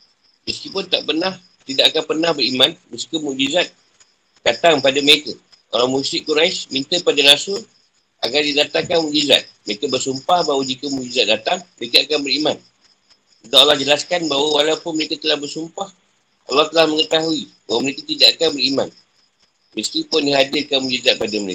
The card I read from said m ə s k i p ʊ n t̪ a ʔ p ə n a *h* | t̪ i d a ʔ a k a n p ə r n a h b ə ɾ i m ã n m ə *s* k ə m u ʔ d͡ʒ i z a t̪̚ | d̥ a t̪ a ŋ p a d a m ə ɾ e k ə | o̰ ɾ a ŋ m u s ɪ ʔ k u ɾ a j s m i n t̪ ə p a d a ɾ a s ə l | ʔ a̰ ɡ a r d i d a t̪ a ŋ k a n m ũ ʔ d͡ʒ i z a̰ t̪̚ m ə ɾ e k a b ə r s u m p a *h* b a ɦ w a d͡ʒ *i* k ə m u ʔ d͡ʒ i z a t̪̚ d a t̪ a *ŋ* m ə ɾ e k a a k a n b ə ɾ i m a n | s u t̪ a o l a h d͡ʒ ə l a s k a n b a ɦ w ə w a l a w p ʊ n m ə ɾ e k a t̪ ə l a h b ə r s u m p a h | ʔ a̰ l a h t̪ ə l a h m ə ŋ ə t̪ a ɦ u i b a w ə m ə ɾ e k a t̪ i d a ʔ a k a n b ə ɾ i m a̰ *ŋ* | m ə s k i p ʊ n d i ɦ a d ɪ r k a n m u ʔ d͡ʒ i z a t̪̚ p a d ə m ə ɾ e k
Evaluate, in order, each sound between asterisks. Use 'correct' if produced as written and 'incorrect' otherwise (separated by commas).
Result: correct, correct, correct, correct, correct, incorrect